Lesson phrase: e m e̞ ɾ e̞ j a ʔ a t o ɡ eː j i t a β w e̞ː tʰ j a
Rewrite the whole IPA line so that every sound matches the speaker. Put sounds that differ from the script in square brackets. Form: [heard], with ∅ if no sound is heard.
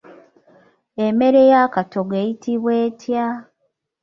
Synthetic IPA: e m e̞ ɾ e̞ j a [k] a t o ɡ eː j i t [i] β w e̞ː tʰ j a